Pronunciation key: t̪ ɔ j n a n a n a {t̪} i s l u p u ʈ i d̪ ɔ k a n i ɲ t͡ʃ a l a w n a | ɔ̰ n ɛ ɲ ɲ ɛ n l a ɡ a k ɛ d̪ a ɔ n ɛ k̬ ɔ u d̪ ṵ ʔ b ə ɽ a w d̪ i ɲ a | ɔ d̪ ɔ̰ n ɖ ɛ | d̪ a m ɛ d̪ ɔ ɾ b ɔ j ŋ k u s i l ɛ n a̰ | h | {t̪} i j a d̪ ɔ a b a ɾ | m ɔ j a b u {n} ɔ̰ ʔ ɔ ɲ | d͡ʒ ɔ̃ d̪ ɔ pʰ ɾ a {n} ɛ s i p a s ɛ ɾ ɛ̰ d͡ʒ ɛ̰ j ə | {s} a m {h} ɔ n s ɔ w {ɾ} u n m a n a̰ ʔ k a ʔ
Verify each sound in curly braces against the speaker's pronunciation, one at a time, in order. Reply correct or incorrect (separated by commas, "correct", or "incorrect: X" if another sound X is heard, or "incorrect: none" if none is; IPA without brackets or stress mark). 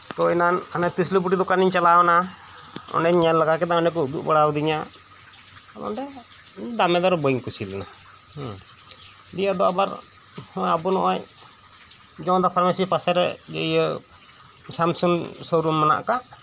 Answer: correct, incorrect: d̪, correct, incorrect: m, correct, incorrect: s, correct